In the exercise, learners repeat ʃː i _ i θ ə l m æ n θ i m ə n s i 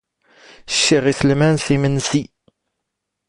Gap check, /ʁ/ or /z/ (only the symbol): ʁ